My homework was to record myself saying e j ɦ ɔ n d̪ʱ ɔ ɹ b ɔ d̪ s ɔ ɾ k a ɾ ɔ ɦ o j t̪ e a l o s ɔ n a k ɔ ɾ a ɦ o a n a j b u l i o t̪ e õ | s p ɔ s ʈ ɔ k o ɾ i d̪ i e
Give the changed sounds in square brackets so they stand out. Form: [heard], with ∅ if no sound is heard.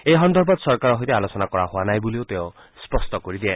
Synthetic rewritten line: e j ɦ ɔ n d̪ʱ ɔ [ɾ] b ɔ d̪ s ɔ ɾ k a ɾ ɔ ɦ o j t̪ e a l o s ɔ n a k ɔ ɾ a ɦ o a n a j b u l i o t̪ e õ | s p ɔ s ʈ ɔ k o ɾ i d̪ i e